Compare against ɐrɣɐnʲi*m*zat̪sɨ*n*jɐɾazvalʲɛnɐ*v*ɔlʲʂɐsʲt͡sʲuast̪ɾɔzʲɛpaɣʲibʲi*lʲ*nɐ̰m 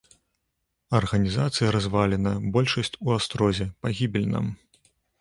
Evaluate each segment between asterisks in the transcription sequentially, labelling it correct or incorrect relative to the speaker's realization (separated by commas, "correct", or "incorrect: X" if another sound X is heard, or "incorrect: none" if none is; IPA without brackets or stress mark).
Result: incorrect: none, incorrect: none, incorrect: b, correct